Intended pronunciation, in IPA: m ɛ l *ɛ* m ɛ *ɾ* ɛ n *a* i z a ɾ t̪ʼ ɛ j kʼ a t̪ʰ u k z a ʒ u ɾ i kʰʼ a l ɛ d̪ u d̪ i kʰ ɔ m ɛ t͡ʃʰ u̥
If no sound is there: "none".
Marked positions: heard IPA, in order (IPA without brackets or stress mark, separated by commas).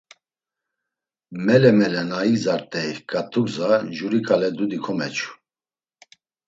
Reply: ɛ, l, a